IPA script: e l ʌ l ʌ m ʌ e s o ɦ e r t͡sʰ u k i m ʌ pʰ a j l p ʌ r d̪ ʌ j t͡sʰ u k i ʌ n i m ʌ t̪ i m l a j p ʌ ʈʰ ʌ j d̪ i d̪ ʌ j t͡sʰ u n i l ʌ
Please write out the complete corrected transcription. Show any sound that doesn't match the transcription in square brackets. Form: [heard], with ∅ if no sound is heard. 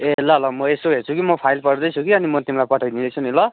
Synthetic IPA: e l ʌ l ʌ m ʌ e s o ɦ e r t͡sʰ u k i m ʌ pʰ a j l p ʌ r d̪ ʌ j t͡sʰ u k i ʌ n i m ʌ t̪ i m l a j p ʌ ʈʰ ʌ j d̪ i d̪ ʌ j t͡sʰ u n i l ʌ